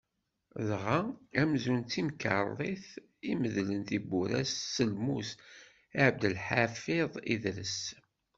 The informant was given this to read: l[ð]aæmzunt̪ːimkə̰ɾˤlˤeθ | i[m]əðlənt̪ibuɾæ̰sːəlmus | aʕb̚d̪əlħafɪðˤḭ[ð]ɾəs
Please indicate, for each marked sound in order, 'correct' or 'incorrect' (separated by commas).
incorrect, correct, correct